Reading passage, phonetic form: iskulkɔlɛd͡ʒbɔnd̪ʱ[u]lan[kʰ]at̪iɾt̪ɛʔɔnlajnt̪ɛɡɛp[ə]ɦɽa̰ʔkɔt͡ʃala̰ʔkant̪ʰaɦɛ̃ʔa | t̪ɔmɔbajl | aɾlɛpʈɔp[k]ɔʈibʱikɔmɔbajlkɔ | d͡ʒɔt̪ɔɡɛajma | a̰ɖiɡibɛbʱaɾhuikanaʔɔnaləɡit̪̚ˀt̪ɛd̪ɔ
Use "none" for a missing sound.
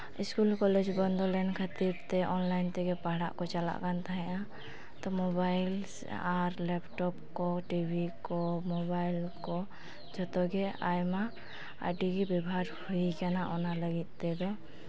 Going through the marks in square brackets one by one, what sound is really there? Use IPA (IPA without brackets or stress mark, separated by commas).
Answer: ɔ, kʰ, a, k